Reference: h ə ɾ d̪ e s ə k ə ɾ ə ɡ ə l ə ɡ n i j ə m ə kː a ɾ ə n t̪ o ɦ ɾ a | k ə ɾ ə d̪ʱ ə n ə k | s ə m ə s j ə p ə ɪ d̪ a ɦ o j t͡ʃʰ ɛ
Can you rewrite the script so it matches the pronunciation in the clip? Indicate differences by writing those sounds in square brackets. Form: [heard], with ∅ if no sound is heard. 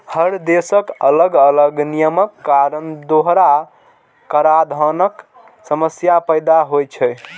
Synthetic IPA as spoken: h ə ɾ d̪ e s ə k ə [l] ə ɡ ə l ə ɡ n i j ə m ə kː a ɾ ə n [d̪] o ɦ ɾ a | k ə ɾ [a] d̪ʱ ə n ə k | s ə m ə s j [a] p ə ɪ d̪ a ɦ o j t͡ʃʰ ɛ